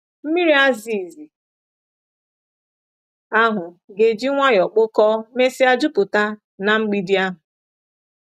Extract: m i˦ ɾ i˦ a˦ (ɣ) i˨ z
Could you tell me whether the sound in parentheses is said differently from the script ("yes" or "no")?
yes